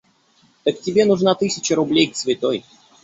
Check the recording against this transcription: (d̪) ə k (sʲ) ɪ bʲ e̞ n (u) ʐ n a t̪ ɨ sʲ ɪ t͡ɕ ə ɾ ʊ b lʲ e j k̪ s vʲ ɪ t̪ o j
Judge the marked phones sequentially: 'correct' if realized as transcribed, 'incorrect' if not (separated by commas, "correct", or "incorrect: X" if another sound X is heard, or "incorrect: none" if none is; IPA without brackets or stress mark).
incorrect: t̪, incorrect: tʲ, incorrect: ʊ